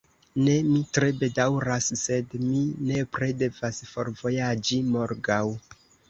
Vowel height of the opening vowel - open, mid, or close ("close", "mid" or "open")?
mid